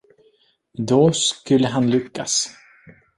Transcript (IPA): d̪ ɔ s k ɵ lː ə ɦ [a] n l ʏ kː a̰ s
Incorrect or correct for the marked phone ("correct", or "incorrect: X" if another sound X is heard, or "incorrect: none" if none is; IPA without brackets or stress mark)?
correct